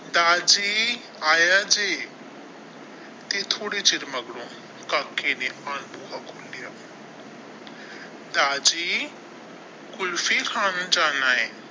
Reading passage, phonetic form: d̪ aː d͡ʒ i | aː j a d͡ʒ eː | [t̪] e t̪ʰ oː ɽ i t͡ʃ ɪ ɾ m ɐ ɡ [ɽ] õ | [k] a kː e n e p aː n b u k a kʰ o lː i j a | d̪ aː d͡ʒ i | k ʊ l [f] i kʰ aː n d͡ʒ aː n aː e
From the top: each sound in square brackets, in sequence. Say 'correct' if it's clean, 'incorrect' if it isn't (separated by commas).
correct, correct, correct, correct